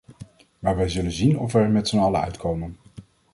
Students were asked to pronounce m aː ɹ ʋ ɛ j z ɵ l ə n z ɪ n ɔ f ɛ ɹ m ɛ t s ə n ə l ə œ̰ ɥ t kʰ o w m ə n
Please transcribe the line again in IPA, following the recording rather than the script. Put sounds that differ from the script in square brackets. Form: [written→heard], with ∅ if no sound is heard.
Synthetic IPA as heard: m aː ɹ ʋ ɛ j z ɵ l ə n z [ɪ→i] n ɔ f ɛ ɹ m ɛ t s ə n [ə→ɑ] l ə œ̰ ɥ t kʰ o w m ə n